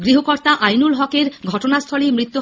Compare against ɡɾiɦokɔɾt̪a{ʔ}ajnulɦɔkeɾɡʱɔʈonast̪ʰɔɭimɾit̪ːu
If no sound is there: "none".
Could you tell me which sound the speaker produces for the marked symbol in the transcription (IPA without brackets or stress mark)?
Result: ʔ